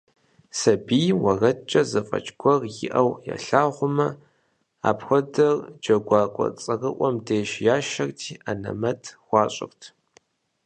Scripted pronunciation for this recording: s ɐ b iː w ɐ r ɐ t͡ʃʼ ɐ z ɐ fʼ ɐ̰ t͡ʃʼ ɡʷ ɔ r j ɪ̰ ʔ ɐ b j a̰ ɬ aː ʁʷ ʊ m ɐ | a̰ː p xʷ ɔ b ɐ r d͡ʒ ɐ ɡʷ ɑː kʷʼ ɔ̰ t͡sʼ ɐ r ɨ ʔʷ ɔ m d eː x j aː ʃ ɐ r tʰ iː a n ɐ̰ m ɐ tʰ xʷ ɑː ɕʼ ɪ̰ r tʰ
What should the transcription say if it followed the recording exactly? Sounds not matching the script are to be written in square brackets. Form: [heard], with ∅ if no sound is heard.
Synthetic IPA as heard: s ɐ b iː w ɐ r ɐ t͡ʃʼ ɐ z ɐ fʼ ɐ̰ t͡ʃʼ ɡʷ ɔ r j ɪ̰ ʔ ɐ [w] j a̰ ɬ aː ʁʷ ʊ m ɐ | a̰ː p xʷ ɔ [d] ɐ r d͡ʒ ɐ ɡʷ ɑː kʷʼ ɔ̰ t͡sʼ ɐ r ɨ ʔʷ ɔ m d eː [ʃ] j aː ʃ ɐ r tʰ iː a n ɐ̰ m ɐ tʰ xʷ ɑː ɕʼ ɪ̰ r tʰ